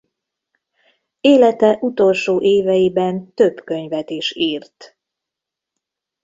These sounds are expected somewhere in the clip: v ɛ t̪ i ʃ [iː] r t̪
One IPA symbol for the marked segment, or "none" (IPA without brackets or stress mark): iː